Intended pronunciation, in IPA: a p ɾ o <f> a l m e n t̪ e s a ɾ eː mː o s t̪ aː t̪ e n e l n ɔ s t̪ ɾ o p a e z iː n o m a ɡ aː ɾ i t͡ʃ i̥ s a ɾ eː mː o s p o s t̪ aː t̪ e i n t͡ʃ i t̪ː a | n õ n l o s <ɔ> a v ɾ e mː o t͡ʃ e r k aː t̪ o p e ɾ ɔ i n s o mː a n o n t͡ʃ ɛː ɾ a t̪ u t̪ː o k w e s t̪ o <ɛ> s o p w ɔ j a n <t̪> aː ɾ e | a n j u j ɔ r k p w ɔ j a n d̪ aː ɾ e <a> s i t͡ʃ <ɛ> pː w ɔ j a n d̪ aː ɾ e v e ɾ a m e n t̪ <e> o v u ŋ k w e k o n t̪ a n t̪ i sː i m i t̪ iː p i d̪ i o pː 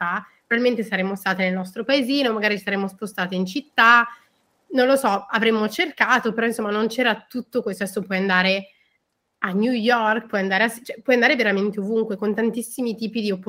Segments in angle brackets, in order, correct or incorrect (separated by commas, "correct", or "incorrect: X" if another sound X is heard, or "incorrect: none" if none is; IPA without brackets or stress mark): incorrect: v, correct, correct, incorrect: d̪, correct, correct, correct